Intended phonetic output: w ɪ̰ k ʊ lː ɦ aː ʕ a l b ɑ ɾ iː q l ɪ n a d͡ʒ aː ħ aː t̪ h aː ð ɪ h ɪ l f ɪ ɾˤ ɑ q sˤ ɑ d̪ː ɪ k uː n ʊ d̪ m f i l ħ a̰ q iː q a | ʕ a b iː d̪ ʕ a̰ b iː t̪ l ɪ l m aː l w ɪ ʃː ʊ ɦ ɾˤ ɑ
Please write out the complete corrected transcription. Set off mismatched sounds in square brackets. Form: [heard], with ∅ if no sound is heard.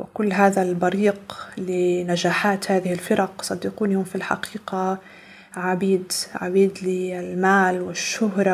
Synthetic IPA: w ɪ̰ k ʊ lː ɦ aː [ð] a l b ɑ ɾ iː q l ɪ n a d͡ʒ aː ħ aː t̪ h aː ð ɪ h ɪ l f ɪ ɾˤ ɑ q sˤ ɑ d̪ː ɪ [q] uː n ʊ [∅] m f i l ħ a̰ q iː q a | ʕ a b iː d̪ ʕ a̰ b iː [d̪] l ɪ l m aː l w ɪ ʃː ʊ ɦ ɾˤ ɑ